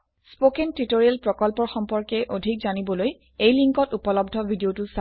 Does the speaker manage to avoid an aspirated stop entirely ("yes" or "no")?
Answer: yes